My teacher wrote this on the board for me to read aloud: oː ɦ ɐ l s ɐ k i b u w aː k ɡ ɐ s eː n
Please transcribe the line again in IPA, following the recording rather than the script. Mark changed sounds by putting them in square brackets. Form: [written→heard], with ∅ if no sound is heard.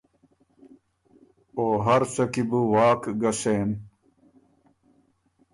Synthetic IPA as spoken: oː ɦ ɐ [l→ɾ] s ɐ k i b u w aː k ɡ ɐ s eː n